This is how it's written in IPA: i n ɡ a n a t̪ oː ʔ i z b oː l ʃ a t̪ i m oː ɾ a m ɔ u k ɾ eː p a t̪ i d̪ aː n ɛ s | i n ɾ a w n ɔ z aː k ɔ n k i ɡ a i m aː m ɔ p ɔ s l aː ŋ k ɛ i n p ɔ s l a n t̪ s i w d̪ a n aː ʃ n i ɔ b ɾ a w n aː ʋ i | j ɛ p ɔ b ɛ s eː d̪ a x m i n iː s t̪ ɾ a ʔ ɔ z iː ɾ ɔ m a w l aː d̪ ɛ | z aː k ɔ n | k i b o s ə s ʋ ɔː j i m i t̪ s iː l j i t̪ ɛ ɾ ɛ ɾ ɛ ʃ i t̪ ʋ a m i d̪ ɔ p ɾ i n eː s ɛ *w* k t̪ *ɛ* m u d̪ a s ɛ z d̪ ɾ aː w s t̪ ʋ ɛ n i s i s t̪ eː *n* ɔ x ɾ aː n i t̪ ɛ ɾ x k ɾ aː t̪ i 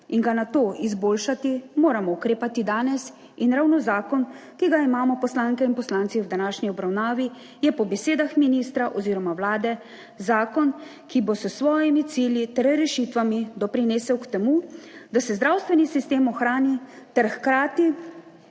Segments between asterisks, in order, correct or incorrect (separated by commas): correct, correct, incorrect